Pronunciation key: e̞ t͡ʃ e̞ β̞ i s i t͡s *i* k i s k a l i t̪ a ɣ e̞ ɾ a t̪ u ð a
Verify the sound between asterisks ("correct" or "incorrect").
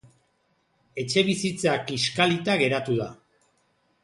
incorrect